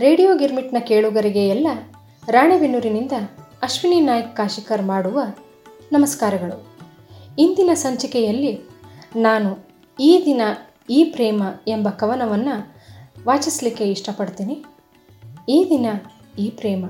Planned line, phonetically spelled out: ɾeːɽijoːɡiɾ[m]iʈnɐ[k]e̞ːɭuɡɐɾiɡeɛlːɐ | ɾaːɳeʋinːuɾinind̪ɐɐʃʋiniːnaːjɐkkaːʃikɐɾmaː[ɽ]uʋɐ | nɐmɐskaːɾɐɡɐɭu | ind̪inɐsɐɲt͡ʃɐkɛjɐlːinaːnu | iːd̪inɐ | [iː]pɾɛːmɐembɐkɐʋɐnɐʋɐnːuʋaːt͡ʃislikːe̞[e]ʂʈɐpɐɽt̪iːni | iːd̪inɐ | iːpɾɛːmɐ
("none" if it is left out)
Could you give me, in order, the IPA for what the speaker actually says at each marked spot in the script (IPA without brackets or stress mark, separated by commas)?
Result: m, k, ɽ, iː, i